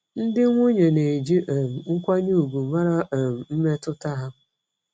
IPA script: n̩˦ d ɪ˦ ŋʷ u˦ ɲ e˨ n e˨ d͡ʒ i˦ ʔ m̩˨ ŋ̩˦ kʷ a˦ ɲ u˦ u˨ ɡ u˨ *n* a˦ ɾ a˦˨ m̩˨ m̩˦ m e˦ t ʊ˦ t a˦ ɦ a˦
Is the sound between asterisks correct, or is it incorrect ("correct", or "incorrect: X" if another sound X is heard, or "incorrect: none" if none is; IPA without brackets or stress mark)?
incorrect: m